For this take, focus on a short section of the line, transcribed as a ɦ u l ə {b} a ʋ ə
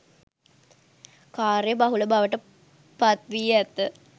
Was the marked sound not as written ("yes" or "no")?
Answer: no